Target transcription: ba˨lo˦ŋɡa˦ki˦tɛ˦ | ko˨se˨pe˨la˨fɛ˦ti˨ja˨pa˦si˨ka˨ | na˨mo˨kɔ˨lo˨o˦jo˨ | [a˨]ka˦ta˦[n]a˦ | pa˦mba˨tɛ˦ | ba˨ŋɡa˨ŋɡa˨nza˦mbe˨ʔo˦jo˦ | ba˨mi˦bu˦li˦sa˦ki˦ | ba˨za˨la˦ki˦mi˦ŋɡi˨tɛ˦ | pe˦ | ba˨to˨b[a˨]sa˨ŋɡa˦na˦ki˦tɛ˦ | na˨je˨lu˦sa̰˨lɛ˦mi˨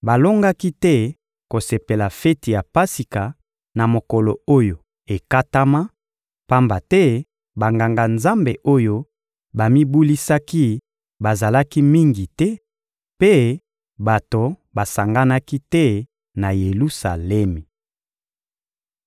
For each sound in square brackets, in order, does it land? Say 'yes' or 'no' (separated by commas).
no, no, yes